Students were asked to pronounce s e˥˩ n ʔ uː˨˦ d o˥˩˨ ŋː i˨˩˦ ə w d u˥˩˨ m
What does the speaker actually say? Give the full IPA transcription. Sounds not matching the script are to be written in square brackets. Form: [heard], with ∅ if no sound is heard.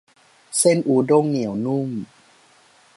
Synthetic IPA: s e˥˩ n ʔ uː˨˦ d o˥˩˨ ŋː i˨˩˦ ə w [n] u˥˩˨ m

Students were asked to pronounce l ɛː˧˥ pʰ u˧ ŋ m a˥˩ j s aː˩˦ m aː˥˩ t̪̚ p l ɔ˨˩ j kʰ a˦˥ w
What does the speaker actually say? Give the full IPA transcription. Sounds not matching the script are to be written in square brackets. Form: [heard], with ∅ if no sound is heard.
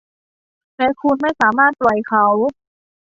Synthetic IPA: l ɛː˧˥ [kʰ] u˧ [n] m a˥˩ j s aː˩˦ m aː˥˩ t̪̚ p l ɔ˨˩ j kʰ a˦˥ w

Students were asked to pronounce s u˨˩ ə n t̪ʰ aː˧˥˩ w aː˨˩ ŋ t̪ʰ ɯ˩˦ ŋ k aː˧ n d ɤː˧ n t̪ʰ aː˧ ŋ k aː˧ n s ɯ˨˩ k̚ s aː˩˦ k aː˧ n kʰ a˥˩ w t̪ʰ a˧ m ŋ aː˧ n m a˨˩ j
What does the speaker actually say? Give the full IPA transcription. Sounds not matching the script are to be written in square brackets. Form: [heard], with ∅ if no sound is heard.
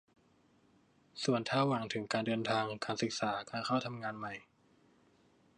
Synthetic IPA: s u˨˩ ə n t̪ʰ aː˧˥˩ w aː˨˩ ŋ t̪ʰ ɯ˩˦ ŋ k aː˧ n d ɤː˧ n t̪ʰ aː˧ ŋ k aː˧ n s ɯ˨˩ k̚ s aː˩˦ k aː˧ n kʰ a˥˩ w t̪ʰ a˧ m ŋ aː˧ n m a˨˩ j

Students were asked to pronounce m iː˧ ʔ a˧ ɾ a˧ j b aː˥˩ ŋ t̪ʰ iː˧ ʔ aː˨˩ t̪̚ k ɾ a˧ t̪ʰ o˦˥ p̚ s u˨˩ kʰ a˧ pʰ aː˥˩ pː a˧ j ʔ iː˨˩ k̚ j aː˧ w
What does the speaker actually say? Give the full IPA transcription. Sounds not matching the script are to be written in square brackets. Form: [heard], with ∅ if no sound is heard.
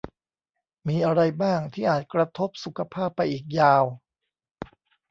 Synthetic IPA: m iː˧ ʔ a˧ ɾ a˧ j b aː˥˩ ŋ t̪ʰ [iː˥˩] ʔ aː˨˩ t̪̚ k ɾ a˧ t̪ʰ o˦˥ p̚ s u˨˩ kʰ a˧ pʰ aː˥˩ pː a˧ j ʔ iː˨˩ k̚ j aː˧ w

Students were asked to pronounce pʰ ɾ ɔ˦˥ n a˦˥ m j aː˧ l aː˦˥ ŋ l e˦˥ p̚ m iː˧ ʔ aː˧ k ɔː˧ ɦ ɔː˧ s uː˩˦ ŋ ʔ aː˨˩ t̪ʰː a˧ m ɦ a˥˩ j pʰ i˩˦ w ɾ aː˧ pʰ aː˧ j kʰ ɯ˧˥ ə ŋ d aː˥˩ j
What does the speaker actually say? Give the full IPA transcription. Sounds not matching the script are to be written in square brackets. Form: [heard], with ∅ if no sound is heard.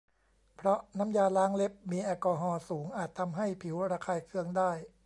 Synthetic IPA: pʰ ɾ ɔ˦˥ n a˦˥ m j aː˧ l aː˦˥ ŋ l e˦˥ p̚ m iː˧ ʔ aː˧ k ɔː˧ ɦ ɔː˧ s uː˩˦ ŋ ʔ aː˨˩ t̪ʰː a˧ m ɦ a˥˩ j pʰ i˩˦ w ɾ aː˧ [kʰ] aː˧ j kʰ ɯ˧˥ ə ŋ d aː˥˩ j

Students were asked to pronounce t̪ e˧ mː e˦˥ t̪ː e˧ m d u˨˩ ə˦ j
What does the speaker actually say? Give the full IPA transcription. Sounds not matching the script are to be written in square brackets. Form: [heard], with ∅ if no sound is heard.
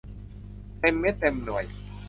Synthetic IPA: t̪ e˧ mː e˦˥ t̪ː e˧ m [n] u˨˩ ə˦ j

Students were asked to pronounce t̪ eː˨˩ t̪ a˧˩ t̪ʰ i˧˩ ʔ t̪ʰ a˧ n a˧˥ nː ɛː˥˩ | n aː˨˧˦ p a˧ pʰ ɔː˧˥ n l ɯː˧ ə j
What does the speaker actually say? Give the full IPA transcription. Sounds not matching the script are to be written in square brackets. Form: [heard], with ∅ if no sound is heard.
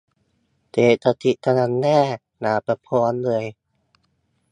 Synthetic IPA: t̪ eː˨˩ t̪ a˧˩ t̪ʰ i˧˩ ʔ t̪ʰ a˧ n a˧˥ nː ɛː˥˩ | n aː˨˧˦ p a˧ pʰ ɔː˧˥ n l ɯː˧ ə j

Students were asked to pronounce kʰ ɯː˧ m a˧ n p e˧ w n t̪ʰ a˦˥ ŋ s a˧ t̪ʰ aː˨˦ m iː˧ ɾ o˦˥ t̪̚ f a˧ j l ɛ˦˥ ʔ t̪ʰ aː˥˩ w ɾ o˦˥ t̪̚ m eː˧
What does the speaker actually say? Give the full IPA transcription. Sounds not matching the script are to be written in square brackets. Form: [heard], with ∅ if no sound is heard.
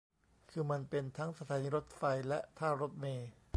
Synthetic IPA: kʰ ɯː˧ m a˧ n p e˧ [∅] n t̪ʰ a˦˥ ŋ s a˧ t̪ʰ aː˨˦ [n] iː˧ ɾ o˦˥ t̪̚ f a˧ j l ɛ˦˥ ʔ t̪ʰ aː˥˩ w ɾ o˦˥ t̪̚ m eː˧

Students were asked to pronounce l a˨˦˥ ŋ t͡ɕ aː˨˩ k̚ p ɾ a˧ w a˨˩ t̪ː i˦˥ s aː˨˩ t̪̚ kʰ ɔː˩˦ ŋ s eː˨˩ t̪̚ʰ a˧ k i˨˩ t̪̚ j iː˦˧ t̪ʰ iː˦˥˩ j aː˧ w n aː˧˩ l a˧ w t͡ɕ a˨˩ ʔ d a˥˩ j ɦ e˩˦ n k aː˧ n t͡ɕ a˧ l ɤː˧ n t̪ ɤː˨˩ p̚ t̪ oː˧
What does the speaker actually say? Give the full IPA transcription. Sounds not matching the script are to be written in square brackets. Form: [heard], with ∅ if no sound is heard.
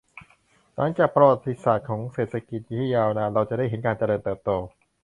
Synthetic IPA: l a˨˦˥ ŋ t͡ɕ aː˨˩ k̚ p ɾ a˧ w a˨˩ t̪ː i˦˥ s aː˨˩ t̪̚ kʰ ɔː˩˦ ŋ s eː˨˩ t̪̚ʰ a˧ k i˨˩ t̪̚ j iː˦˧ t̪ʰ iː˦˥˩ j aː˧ w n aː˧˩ [ɾ] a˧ w t͡ɕ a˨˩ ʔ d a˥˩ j ɦ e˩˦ n k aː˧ n t͡ɕ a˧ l ɤː˧ n t̪ ɤː˨˩ p̚ t̪ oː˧

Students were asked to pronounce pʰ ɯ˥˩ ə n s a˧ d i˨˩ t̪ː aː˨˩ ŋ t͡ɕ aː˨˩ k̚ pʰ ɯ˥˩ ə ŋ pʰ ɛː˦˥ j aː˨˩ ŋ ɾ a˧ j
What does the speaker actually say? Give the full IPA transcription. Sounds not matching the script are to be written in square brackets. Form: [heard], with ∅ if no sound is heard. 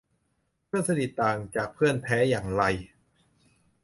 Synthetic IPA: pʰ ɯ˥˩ ə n s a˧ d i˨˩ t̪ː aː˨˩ ŋ t͡ɕ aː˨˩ k̚ pʰ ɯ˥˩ ə [n] pʰ ɛː˦˥ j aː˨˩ ŋ ɾ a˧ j

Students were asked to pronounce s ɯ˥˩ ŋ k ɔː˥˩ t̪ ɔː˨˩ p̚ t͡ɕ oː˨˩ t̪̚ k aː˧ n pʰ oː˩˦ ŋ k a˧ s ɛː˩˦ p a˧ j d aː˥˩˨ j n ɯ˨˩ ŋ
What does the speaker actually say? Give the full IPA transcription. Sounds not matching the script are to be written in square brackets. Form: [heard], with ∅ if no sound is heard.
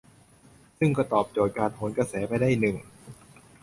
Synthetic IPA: s ɯ˥˩ ŋ k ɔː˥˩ t̪ ɔː˨˩ p̚ t͡ɕ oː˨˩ t̪̚ k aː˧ n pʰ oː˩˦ [n] k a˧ s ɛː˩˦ p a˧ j d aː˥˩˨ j n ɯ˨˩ ŋ

